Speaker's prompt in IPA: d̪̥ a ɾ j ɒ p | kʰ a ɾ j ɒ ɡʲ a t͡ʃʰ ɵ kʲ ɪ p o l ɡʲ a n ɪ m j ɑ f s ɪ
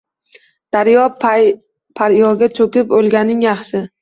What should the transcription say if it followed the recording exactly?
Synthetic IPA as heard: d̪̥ a ɾ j ɒ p | pʰ a ɾ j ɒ ɡʲ a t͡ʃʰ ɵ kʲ ɪ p o l ɡʲ a n ɪ ŋ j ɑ χ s ɪ